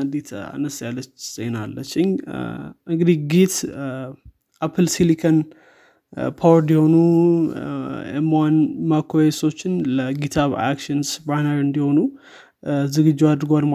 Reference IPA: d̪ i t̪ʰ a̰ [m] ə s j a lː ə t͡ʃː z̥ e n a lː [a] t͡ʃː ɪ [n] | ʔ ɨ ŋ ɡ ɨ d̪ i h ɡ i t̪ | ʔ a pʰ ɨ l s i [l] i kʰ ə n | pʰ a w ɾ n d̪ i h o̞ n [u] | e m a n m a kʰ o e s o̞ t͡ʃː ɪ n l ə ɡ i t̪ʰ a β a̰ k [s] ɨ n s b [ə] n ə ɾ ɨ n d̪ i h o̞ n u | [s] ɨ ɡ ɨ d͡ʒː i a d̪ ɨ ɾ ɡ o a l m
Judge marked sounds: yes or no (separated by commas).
no, no, no, yes, yes, no, no, no